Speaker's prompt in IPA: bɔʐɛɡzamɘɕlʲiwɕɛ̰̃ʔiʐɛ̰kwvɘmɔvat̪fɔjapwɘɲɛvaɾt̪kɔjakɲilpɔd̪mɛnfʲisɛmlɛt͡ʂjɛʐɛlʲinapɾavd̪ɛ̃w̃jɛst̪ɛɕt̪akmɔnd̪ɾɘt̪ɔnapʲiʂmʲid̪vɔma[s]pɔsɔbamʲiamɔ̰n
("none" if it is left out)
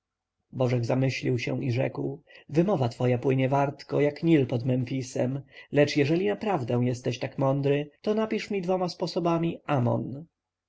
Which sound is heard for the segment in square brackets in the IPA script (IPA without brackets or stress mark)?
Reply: s